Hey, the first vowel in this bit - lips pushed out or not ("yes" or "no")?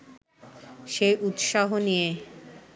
no